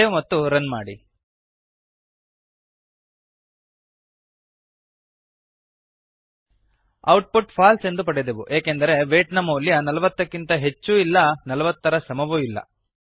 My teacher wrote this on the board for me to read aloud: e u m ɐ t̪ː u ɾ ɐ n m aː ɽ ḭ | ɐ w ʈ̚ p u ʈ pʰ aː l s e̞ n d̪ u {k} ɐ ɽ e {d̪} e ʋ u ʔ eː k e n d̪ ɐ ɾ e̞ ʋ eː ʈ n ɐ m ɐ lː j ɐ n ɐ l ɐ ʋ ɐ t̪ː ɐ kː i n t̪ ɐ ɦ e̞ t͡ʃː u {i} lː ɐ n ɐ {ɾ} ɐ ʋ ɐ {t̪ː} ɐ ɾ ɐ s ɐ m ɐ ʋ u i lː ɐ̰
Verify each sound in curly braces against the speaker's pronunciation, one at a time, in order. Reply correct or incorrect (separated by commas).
incorrect, correct, correct, incorrect, correct